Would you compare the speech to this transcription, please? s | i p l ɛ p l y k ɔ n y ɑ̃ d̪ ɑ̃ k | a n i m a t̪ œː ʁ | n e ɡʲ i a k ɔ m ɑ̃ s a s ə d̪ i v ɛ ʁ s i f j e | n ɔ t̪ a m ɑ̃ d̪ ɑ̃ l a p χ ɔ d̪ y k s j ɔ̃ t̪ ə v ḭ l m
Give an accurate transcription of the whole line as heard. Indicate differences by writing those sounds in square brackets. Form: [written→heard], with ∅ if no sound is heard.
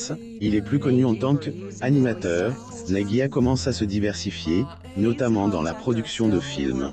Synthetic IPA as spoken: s | i [p→∅] l ɛ p l y k ɔ n y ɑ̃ [d̪→t̪] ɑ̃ k | a n i m a t̪ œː ʁ | n [e→a] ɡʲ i a k ɔ m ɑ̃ s a s ə d̪ i v ɛ ʁ s i f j e | n ɔ t̪ a m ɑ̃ d̪ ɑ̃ l a p χ ɔ d̪ y k s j ɔ̃ [t̪→d̪] ə [v→f] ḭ l m